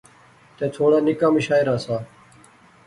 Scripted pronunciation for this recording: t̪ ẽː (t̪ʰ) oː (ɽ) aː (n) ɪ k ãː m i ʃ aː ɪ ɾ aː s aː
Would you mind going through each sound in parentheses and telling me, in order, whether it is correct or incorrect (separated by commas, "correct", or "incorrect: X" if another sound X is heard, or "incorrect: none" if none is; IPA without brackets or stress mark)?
correct, correct, correct